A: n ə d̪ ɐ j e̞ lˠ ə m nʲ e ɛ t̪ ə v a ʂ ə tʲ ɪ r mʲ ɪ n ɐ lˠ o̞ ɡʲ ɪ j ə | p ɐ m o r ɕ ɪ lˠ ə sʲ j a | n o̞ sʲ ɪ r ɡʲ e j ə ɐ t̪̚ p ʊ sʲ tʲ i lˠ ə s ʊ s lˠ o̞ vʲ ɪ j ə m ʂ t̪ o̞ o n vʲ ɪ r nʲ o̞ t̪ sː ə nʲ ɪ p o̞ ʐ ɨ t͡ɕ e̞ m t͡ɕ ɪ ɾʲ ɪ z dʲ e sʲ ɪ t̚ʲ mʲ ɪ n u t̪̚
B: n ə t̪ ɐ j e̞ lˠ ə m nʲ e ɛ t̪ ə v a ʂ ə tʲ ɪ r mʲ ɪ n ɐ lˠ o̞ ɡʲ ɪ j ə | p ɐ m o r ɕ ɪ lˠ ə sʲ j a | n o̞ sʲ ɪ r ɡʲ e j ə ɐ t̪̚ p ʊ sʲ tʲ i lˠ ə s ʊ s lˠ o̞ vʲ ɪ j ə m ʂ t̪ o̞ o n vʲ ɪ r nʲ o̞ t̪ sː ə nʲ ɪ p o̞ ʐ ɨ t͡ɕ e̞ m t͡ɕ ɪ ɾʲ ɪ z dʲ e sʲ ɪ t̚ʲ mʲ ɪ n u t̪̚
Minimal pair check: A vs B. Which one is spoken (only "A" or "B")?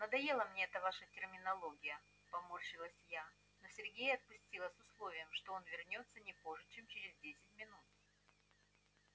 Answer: A